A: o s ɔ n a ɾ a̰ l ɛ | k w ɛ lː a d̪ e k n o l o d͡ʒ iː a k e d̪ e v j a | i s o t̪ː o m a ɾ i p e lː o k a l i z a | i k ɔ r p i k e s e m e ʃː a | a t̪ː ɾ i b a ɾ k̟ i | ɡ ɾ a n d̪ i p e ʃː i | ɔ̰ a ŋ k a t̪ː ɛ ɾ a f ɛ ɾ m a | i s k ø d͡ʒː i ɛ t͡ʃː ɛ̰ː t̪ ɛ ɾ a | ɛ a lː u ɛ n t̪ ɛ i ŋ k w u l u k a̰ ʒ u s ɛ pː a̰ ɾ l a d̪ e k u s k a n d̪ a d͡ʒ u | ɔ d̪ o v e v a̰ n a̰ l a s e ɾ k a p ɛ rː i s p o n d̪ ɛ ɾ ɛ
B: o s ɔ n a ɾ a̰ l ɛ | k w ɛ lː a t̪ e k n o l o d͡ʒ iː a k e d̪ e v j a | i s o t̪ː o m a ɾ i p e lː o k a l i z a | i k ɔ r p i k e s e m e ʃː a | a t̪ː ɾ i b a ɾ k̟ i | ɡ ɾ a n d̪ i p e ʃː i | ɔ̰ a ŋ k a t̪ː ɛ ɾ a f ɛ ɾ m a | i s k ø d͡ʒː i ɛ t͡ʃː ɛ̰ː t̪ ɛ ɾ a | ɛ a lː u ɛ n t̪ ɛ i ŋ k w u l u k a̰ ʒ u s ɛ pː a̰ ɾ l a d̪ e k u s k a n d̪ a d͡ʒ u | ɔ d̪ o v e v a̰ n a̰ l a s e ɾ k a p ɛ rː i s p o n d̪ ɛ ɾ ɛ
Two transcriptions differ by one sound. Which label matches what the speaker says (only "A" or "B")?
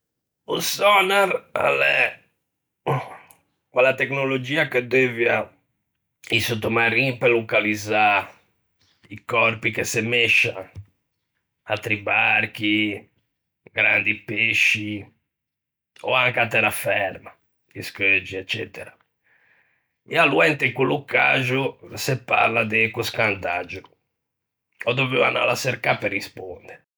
B